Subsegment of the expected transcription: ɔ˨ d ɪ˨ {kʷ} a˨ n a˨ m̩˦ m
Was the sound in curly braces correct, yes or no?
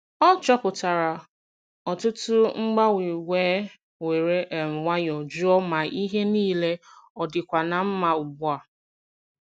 yes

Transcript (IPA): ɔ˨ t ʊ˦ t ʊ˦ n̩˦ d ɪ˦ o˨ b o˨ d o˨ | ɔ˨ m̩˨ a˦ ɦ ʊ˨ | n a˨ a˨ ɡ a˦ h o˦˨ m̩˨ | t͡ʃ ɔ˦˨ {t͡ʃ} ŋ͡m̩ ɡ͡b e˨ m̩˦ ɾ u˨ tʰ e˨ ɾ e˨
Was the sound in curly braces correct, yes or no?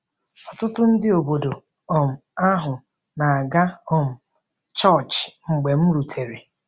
yes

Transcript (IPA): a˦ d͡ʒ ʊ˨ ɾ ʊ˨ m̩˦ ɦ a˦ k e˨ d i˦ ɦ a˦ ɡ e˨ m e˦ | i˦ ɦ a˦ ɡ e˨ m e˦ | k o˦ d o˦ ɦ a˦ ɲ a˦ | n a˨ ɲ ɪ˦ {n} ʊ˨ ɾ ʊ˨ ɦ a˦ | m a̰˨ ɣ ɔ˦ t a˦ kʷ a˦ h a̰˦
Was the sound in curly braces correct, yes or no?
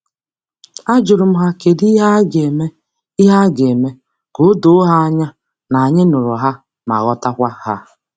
yes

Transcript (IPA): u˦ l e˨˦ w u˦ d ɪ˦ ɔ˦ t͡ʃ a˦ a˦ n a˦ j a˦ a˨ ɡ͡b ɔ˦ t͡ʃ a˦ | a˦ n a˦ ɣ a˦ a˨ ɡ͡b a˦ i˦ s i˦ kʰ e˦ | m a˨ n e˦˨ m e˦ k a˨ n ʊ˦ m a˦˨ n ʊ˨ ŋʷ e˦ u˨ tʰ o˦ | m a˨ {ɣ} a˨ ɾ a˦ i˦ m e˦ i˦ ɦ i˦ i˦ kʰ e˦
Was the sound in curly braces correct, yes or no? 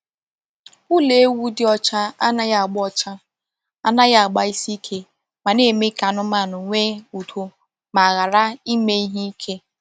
yes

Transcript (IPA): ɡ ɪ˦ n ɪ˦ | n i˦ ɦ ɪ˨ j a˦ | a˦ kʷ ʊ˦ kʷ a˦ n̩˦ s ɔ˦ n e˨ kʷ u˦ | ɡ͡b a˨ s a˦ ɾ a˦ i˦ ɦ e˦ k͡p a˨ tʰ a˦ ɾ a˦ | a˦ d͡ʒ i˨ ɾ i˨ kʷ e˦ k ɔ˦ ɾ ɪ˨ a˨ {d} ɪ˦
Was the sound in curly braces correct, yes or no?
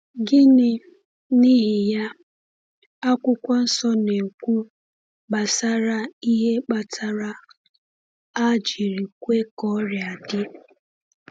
yes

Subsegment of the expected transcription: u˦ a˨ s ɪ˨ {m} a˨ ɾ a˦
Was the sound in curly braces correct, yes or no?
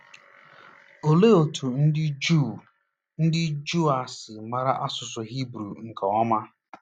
yes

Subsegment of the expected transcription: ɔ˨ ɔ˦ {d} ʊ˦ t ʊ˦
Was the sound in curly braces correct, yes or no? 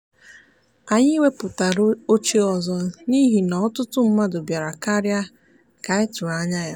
no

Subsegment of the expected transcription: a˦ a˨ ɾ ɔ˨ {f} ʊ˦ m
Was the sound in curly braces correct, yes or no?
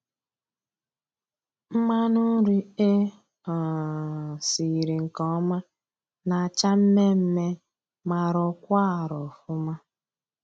yes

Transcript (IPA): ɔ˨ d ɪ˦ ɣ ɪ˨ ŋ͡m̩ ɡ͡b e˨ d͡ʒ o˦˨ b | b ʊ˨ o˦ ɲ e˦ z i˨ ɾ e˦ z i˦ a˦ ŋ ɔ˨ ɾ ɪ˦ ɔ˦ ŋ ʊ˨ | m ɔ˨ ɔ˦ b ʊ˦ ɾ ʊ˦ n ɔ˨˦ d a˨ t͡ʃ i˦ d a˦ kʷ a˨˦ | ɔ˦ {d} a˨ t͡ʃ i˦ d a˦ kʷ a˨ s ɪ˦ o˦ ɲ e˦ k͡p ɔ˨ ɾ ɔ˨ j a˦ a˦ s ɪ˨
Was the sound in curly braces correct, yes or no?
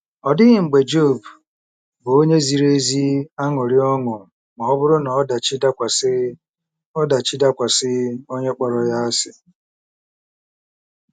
yes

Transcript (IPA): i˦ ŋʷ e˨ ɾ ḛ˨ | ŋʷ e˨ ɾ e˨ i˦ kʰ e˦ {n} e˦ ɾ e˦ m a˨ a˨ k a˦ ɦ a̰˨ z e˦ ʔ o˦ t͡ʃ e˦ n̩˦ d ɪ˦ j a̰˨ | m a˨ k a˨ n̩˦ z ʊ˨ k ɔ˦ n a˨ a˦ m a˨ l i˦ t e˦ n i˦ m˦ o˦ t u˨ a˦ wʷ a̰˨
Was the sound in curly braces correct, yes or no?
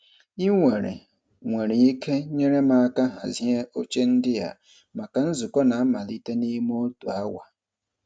no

